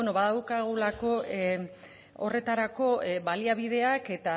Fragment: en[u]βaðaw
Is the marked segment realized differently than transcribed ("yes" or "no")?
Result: yes